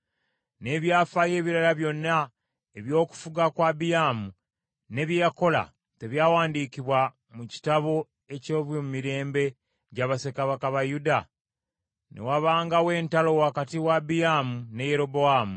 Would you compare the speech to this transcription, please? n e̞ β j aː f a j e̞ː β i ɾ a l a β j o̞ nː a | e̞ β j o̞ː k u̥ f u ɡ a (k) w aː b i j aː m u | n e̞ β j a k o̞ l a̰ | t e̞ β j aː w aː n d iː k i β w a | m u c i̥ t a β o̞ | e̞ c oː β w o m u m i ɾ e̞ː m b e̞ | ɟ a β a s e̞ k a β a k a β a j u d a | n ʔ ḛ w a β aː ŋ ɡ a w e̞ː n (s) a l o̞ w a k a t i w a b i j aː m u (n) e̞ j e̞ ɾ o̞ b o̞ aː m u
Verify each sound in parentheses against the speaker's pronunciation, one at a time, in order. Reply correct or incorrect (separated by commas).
correct, incorrect, correct